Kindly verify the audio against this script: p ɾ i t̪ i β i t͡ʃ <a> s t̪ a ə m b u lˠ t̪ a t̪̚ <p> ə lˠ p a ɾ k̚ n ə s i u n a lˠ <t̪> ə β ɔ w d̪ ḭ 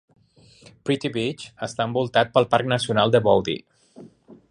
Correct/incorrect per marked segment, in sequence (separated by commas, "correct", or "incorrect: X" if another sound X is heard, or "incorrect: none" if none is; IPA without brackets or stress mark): incorrect: ə, correct, incorrect: d̪